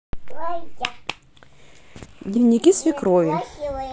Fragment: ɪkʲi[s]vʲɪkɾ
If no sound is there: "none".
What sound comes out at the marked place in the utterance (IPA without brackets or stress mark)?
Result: s